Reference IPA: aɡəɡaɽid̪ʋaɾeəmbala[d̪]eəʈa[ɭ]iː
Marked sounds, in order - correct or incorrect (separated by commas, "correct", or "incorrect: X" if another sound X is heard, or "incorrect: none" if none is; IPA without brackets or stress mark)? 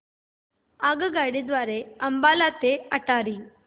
incorrect: t̪, incorrect: ɾ